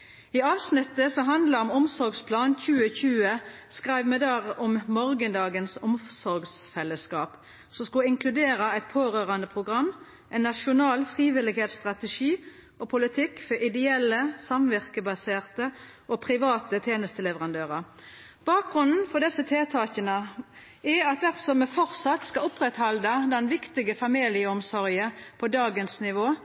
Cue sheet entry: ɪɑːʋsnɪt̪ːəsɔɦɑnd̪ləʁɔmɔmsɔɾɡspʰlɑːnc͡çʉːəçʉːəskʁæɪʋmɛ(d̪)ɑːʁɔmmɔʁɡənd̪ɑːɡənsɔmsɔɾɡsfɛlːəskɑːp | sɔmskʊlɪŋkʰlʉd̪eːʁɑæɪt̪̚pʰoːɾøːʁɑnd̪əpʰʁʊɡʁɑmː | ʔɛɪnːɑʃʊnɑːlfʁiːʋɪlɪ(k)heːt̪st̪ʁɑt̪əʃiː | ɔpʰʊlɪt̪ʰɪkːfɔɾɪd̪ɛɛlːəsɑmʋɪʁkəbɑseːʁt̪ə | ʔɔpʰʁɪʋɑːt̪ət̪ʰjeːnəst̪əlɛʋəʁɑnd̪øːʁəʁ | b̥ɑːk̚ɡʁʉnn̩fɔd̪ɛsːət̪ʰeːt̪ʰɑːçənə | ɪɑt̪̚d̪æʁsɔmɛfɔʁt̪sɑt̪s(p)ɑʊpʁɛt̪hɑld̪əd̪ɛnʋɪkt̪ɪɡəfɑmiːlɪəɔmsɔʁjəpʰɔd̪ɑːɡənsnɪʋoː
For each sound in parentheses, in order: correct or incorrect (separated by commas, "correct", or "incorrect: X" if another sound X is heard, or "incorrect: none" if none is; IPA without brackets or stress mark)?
correct, incorrect: ɡ, incorrect: k